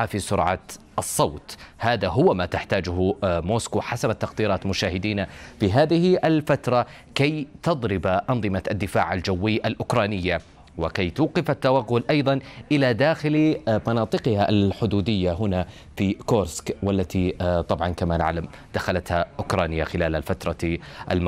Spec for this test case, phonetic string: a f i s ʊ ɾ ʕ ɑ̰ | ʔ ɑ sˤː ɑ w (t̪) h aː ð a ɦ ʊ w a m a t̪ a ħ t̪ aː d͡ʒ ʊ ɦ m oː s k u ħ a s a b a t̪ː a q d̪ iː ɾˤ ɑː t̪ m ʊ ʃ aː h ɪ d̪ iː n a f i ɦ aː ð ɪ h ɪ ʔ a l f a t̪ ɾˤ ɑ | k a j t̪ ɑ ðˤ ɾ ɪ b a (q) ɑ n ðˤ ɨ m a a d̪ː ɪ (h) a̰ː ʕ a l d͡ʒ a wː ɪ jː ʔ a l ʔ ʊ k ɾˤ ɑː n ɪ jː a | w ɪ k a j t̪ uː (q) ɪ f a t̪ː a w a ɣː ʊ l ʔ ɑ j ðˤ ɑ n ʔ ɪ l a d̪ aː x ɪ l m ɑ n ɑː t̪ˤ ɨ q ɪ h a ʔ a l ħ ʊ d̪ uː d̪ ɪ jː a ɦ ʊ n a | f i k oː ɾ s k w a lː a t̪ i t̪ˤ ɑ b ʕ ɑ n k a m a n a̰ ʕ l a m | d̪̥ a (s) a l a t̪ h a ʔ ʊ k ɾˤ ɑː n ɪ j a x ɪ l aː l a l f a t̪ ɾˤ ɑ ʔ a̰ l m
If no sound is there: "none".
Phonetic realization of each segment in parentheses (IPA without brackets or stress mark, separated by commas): t̪, ʔ, f, q, x